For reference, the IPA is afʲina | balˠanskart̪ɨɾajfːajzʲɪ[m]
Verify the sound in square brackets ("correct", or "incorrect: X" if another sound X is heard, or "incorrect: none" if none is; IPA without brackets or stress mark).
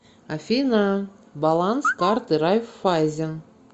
incorrect: n